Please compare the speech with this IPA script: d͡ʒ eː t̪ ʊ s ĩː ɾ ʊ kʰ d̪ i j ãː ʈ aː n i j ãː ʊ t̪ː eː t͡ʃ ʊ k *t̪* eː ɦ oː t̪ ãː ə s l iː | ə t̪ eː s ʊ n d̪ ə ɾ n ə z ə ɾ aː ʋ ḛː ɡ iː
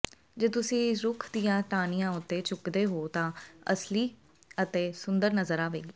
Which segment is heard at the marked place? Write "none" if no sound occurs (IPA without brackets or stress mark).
d̪